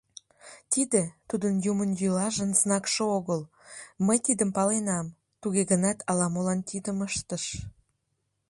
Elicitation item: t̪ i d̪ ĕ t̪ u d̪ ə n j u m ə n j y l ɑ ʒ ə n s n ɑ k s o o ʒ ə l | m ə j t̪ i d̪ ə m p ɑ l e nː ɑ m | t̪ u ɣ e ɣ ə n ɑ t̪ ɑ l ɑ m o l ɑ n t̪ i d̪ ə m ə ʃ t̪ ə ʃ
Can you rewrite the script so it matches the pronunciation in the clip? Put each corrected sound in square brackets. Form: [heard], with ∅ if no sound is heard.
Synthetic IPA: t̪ i d̪ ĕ t̪ u d̪ ə n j u m ə n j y l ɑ ʒ ə n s n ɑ k [ʃ] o o [ɣ] ə l | m ə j t̪ i d̪ ə m p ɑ l e [n] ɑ m | t̪ u ɣ e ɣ ə n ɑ t̪ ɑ l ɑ m o l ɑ n t̪ i d̪ ə m ə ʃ t̪ ə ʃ